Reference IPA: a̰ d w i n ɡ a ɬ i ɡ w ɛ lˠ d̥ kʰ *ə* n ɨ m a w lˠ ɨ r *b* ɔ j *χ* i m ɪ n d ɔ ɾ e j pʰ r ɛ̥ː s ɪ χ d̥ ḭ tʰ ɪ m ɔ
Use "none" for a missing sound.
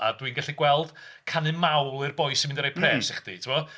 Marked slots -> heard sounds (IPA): a, b, s

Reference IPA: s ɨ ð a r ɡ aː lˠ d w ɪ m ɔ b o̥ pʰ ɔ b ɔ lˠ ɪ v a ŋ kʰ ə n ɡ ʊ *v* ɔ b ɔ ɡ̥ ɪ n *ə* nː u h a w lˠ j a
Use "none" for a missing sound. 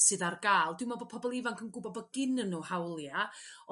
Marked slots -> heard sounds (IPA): b, ə

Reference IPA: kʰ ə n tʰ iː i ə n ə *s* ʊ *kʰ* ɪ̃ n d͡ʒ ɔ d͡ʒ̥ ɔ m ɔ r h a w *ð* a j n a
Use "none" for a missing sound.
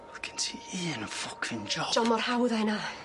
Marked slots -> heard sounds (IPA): f, kʰ, ð

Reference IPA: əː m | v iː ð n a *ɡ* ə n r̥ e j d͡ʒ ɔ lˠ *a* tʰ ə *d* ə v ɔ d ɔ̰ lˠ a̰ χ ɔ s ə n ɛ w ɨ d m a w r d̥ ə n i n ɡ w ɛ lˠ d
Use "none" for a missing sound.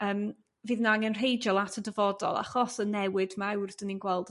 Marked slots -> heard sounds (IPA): ŋ, a, d

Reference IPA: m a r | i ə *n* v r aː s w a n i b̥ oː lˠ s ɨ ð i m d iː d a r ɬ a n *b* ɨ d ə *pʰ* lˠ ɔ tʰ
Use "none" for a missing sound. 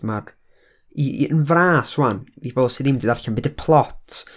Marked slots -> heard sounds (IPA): n, b, pʰ

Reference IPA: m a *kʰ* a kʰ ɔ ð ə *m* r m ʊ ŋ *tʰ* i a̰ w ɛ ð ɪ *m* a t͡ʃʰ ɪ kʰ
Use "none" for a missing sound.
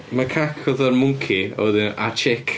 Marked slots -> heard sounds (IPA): kʰ, none, kʰ, n

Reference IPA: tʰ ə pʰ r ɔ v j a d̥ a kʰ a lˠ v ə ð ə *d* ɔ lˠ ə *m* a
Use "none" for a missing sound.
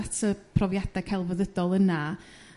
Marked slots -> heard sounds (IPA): d, n

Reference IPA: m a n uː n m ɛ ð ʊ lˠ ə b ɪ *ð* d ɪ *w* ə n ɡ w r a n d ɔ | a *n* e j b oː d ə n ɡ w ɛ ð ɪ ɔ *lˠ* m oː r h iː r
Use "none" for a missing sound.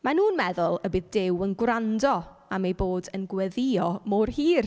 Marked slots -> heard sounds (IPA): ð, w, m, none

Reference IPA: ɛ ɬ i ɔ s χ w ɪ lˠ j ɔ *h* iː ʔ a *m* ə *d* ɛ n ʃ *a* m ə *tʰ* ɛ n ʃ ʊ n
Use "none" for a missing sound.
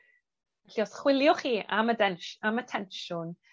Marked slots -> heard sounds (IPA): χ, m, d, a, tʰ

